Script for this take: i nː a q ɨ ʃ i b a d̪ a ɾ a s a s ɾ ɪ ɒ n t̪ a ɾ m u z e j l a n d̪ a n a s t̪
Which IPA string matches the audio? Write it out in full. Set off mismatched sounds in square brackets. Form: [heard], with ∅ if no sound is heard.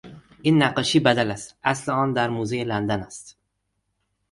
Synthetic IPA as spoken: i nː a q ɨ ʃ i b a d̪ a [l] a s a s [l] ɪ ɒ n [d̪] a ɾ m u z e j l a n d̪ a n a s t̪